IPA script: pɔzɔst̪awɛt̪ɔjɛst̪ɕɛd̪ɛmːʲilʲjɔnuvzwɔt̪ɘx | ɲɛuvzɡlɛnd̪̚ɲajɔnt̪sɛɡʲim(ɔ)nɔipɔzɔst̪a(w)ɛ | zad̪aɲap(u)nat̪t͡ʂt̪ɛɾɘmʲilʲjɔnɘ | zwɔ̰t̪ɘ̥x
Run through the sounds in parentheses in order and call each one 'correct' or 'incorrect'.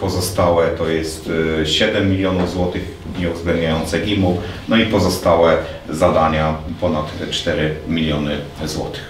incorrect: u, correct, incorrect: ɔ

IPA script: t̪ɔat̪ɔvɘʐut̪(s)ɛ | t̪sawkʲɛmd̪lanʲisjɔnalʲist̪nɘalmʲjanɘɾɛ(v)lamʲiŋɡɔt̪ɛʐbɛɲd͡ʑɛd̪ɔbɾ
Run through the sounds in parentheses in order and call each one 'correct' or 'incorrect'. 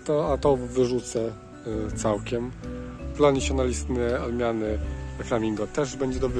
correct, incorrect: f

